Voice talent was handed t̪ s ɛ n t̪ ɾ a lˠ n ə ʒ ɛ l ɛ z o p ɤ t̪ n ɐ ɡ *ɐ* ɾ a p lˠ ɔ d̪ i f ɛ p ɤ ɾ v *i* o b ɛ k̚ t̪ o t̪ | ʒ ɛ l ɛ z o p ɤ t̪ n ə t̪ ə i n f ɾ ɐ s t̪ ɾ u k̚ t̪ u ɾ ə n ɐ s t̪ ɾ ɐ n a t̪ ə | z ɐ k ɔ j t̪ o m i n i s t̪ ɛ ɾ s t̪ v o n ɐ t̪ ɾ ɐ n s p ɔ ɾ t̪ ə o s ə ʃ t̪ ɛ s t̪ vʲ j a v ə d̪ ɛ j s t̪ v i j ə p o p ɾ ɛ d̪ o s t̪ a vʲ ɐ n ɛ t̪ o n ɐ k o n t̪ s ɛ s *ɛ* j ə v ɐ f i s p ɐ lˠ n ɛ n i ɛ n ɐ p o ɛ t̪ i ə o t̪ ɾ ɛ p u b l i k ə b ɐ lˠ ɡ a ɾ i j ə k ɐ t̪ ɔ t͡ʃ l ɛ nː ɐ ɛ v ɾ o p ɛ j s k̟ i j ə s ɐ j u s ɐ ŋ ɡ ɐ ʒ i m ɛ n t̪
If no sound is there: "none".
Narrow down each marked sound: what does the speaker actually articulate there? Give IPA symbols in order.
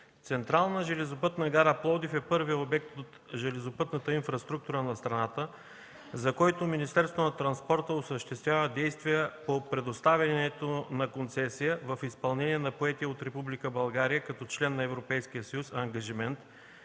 a, i, i

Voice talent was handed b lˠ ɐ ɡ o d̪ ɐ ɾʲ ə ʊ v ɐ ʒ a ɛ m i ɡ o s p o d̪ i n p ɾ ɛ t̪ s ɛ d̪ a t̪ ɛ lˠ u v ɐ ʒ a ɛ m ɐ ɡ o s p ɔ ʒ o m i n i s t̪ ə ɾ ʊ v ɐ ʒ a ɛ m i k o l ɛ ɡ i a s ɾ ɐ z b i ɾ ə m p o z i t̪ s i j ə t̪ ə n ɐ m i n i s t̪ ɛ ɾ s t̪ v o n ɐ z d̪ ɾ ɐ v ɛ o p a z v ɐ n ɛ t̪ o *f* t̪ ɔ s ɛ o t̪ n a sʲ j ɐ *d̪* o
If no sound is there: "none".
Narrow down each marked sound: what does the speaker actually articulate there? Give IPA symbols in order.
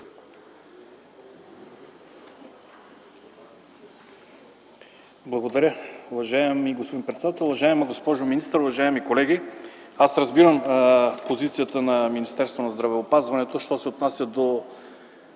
ʃ, d̪

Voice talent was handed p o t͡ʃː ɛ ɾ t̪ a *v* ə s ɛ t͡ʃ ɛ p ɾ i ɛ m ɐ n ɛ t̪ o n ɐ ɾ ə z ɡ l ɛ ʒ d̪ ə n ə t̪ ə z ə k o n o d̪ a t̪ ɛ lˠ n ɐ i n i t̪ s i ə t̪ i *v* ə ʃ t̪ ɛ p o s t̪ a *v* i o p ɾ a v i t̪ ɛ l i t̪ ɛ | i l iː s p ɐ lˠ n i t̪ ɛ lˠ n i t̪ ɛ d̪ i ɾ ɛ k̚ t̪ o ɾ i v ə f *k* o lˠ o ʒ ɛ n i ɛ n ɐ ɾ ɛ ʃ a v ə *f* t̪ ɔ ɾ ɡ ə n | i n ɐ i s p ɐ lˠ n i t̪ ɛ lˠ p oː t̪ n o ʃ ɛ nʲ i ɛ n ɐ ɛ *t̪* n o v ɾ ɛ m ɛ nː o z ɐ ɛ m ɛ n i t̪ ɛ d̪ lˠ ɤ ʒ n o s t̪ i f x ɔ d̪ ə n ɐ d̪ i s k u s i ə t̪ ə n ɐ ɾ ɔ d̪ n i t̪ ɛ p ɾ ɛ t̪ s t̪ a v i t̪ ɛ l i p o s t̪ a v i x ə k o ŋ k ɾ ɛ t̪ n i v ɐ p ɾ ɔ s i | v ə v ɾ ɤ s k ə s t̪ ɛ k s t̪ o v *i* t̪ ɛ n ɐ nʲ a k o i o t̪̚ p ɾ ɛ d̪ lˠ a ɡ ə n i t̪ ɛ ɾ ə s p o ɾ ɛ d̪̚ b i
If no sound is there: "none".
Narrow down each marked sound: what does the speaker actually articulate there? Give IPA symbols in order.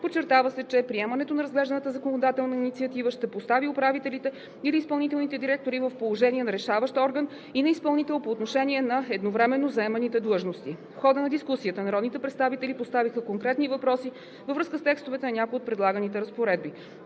v, v, v, p, ʃ, d̪, ɛ

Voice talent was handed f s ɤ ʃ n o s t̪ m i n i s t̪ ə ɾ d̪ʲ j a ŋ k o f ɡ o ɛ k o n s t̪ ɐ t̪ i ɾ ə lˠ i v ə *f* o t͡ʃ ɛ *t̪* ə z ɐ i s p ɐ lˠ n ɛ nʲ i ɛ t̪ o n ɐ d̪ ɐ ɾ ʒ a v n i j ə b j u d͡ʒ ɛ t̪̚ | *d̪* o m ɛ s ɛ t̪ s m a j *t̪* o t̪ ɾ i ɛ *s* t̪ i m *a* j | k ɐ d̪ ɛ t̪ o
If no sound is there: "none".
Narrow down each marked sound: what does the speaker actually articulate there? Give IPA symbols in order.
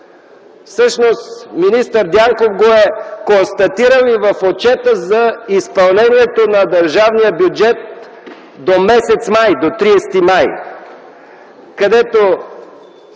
f, t̪, d̪, d̪, s, a

